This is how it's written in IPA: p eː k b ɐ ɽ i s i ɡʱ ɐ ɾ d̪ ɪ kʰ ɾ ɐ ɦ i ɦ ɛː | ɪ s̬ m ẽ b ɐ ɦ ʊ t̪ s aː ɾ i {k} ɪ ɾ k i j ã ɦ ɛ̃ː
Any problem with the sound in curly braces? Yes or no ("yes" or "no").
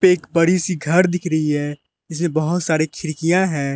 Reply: yes